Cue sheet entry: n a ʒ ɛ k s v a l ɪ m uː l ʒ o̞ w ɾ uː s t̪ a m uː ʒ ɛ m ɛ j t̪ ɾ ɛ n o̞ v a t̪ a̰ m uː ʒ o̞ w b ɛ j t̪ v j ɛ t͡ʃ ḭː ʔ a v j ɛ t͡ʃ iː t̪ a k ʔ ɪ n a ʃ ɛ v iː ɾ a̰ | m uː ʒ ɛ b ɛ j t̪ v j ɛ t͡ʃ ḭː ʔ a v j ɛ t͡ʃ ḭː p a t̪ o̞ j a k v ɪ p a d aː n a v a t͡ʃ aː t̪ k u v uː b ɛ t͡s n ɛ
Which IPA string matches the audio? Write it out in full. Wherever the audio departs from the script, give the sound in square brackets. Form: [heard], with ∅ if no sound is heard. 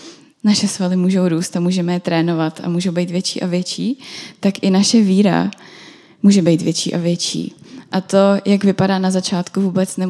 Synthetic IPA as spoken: n a [ʃ] ɛ [∅] s v a l ɪ m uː [∅] ʒ o̞ w ɾ uː s t̪ a m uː ʒ ɛ m ɛ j t̪ ɾ [ɛː] n o̞ v a t̪ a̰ m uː ʒ o̞ w b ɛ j t̪ v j ɛ t͡ʃ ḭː ʔ a v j ɛ t͡ʃ iː t̪ a k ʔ ɪ n a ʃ ɛ v iː ɾ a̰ | m uː ʒ ɛ b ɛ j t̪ v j ɛ t͡ʃ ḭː ʔ a v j ɛ t͡ʃ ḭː [ʔ] a t̪ o̞ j a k v ɪ p a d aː n a [z] a t͡ʃ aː t̪ k u v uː b ɛ t͡s n ɛ